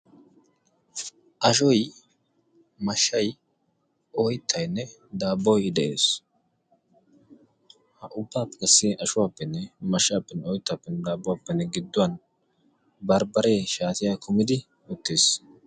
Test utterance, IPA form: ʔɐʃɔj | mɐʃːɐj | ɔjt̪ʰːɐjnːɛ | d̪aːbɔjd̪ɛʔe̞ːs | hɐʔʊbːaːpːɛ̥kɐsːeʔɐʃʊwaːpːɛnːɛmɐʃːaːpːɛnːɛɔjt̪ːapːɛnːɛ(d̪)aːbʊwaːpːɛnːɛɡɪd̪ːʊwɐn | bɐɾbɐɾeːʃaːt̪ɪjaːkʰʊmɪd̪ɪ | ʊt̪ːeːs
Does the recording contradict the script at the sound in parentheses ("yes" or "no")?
no